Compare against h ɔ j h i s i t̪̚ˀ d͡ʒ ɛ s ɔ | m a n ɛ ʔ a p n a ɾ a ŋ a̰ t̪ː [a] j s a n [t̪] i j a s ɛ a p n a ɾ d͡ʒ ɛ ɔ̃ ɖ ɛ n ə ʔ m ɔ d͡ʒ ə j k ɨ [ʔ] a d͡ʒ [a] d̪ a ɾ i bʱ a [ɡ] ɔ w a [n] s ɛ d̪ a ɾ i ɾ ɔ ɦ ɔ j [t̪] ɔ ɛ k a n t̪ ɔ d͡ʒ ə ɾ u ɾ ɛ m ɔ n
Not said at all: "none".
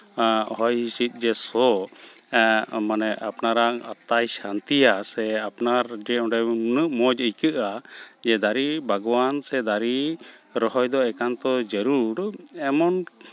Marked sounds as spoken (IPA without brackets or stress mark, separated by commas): a, t̪, ʔ, ɛ, ɡ, n, d̪